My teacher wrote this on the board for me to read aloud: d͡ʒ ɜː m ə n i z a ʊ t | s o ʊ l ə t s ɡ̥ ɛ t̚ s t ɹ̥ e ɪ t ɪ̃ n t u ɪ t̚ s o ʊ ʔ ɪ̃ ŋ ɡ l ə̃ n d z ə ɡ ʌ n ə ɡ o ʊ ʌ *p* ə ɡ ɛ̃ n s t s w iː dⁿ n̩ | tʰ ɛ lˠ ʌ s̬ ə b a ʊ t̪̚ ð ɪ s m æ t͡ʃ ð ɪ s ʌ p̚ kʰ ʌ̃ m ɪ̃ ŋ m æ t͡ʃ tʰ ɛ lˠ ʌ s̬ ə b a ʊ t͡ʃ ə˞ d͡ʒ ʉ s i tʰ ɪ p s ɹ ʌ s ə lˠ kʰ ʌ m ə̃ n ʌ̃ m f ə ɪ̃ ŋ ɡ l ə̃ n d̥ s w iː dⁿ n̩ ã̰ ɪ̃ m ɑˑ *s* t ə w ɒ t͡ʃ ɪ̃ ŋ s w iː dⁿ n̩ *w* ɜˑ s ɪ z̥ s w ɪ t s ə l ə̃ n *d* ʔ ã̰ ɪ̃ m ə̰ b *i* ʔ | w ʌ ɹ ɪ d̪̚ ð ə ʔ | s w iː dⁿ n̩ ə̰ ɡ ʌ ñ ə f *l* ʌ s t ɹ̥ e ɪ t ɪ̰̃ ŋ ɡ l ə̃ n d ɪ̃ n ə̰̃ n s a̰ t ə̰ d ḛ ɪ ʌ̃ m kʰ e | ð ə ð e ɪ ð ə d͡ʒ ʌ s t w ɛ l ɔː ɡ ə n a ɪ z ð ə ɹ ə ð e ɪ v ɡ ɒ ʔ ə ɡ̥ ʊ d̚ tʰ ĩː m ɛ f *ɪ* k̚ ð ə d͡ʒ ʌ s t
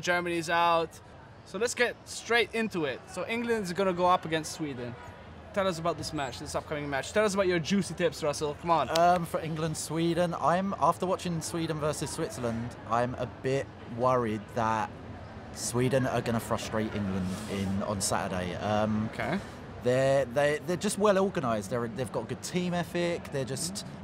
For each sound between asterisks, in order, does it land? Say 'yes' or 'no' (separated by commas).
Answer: yes, no, no, yes, no, no, yes